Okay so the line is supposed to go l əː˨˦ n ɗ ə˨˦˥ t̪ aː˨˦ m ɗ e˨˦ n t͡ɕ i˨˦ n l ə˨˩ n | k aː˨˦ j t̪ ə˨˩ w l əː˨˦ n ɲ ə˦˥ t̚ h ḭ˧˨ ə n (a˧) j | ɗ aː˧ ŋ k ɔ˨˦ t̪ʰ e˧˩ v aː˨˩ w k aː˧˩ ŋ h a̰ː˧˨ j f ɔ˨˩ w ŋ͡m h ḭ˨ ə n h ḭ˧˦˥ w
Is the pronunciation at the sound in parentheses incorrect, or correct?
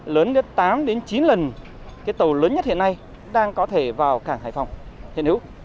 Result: correct